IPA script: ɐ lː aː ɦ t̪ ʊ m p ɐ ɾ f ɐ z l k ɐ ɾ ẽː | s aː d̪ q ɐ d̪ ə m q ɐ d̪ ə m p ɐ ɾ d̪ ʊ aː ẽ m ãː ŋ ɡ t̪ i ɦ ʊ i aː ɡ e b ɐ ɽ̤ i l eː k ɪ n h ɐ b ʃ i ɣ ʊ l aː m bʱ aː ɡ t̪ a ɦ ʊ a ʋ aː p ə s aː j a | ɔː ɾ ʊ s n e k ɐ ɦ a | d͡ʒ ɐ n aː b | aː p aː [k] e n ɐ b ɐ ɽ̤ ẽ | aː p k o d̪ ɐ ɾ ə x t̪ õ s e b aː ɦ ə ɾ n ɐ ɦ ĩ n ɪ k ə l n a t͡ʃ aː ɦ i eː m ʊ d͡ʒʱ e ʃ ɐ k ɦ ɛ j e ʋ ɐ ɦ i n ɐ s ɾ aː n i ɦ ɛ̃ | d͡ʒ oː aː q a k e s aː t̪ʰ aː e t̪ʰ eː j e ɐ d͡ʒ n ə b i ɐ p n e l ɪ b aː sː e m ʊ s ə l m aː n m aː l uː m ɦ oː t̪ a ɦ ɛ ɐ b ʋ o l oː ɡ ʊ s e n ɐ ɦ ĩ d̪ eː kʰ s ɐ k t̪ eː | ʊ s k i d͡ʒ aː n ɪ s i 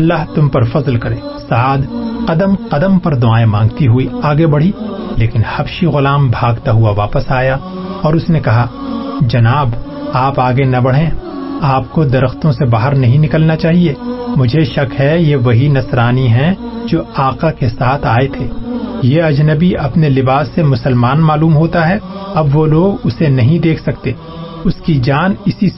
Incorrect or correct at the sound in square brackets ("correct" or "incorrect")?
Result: incorrect